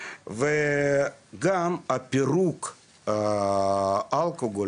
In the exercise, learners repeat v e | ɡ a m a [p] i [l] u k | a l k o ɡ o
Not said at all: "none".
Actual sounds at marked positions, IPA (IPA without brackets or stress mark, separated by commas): p, ɾ